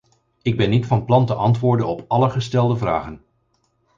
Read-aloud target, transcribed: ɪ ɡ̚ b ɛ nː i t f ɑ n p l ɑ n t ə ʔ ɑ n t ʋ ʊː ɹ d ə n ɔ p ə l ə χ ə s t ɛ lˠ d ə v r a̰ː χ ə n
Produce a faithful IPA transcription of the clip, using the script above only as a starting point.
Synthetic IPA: ɪ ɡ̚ b ɛ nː i t f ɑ n p l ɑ n t ə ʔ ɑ n t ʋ ʊː ɹ d ə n ɔ p ɑ l ə χ ə s t ɛ lˠ d ə v r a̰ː χ ə n